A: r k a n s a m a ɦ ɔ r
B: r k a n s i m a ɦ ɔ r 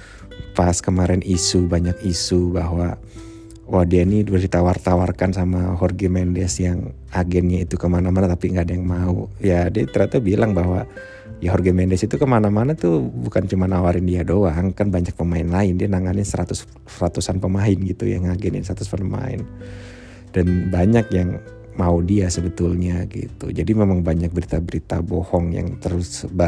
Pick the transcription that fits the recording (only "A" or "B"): A